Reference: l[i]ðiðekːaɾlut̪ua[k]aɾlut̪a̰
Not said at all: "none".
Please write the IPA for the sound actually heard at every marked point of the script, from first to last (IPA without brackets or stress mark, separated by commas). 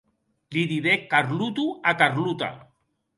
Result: i, k